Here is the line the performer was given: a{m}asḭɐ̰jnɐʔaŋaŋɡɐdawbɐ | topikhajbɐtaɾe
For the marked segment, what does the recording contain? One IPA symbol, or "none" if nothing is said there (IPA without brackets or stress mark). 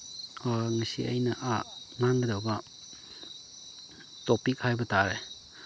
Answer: ŋ